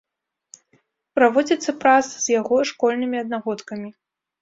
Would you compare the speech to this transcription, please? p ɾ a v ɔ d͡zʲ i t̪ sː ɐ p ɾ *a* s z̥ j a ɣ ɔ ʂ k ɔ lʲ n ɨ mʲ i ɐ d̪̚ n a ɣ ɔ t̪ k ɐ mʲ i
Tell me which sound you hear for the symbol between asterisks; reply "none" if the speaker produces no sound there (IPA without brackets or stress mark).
a